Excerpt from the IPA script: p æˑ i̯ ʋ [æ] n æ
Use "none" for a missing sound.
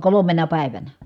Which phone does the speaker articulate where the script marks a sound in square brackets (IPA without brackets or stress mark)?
æ